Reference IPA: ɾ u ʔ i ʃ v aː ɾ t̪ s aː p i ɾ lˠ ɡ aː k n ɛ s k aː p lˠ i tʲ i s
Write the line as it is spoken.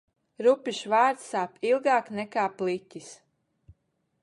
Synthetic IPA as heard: ɾ u p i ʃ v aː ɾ t̪ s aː p i lˠ ɡ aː k n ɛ k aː p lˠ i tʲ i s

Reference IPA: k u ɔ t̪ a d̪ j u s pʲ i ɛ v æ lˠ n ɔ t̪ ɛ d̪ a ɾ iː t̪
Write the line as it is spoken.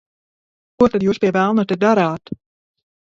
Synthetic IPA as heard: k u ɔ t̪ a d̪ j uː s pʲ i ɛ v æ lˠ n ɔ t̪ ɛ d̪ a ɾ aː t̪

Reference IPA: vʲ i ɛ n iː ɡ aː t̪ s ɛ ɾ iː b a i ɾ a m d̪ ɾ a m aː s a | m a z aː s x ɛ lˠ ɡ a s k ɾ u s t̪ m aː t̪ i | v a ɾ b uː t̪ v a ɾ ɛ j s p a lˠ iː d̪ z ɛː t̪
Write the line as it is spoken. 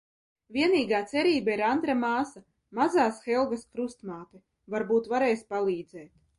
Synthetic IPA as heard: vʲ i ɛ n iː ɡ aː t̪ s ɛ ɾ iː b a i ɾ a n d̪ ɾ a m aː s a | m a z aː s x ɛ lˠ ɡ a s k ɾ u s t̪ m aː t̪ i | v a ɾ b uː t̪ v a ɾ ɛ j s p a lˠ iː d̪ z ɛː t̪

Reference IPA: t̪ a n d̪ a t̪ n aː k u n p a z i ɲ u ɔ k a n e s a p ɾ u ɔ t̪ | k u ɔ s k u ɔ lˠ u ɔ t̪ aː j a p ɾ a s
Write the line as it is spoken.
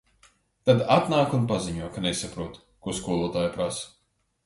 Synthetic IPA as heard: t̪ a d̪ a t̪ n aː k u n p a z i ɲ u ɔ k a n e s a p ɾ u ɔ t̪ | k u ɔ s k u ɔ lˠ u ɔ t̪ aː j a p ɾ a s

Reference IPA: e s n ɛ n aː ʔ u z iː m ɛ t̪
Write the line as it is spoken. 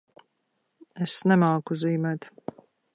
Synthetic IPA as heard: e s n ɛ m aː k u z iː m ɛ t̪

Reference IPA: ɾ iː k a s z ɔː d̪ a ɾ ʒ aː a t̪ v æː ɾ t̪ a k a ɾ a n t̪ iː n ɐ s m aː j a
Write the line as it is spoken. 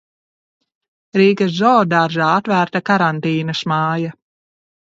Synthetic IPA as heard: ɾ iː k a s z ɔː d̪ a ɾ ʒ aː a t̪ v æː ɾ t̪ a k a ɾ a n t̪ iː n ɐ s m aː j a

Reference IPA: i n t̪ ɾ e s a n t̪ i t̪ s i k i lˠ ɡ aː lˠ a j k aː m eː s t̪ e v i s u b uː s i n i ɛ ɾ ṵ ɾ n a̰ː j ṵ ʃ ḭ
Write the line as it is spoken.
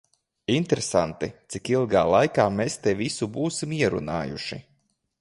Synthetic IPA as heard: i n t̪ ɾ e s a n t̪ i t̪ s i k i lˠ ɡ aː lˠ a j k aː m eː s t̪ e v i s u b uː s i m i ɛ ɾ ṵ n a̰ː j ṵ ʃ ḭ

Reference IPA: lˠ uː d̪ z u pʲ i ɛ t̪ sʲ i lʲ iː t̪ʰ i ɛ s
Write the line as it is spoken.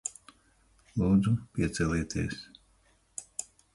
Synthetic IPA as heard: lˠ uː d̪ z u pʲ i ɛ t̪ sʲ ɛ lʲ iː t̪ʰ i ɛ s

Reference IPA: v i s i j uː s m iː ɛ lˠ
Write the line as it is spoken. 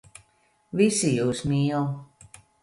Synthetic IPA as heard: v i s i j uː s m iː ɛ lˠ

